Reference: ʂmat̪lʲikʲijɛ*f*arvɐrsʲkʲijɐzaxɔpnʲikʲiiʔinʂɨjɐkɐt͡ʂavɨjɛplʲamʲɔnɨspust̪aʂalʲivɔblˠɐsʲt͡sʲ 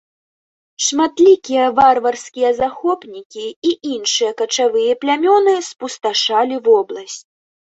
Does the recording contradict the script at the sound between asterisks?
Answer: yes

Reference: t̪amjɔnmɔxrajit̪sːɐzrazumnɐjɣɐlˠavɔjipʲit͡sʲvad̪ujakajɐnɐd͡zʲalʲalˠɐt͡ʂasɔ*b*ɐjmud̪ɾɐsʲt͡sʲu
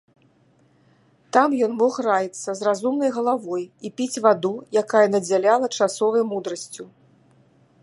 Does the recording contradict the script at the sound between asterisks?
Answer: yes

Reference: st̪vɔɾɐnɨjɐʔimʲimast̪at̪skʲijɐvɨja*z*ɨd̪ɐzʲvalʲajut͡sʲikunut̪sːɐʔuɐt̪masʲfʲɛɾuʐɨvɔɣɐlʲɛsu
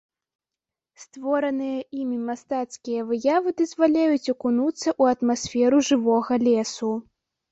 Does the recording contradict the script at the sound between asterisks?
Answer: yes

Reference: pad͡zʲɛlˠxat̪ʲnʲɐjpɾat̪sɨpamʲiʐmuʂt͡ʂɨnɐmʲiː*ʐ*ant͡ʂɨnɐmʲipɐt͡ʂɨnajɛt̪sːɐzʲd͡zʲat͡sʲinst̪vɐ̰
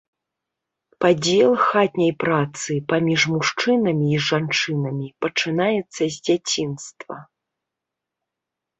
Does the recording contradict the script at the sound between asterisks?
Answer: no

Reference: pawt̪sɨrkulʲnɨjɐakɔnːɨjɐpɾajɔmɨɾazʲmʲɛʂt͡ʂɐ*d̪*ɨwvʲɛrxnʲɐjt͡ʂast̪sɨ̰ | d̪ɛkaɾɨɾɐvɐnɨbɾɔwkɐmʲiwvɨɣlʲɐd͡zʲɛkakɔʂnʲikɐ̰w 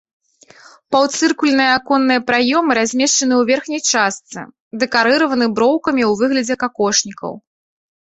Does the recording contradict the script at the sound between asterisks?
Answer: yes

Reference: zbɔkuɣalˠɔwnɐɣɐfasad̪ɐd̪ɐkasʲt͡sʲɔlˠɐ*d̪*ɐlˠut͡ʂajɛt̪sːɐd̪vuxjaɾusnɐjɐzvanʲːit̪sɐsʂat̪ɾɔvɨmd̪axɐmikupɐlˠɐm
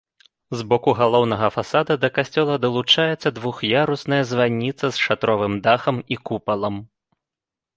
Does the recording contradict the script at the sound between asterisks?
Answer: no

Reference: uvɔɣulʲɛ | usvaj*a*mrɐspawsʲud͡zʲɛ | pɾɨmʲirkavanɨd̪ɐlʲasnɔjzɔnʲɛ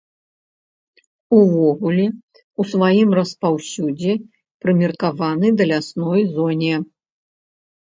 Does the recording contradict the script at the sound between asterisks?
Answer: yes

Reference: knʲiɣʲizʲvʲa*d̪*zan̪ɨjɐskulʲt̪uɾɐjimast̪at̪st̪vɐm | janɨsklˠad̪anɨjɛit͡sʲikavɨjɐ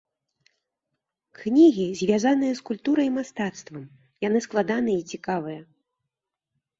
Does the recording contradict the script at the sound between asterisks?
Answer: yes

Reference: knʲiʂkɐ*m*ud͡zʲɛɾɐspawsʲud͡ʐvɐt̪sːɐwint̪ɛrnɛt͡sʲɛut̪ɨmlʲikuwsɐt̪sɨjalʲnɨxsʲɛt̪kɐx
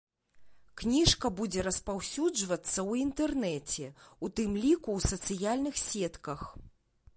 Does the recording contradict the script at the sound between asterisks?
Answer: yes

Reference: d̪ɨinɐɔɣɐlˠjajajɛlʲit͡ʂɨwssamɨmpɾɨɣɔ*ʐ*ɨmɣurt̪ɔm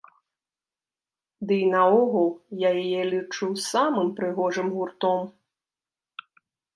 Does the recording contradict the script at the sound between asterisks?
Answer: no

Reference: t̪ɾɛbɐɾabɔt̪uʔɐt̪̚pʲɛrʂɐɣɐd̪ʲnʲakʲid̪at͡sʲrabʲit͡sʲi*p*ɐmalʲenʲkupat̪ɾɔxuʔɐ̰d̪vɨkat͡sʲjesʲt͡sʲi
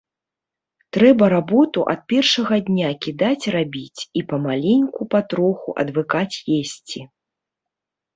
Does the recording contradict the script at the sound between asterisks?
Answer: no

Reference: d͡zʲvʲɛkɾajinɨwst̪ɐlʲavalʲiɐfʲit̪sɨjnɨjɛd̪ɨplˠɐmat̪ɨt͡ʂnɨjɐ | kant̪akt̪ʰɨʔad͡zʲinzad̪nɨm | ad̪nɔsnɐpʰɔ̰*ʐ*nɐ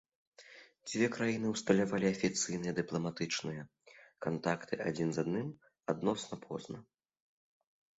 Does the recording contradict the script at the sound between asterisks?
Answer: yes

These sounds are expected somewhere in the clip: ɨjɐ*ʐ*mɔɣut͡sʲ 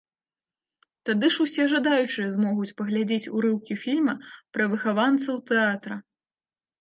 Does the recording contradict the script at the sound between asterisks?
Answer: yes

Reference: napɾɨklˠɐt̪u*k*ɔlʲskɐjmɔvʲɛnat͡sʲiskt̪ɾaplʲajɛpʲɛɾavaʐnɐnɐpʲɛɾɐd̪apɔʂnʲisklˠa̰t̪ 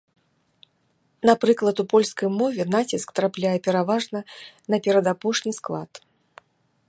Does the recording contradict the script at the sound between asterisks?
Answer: yes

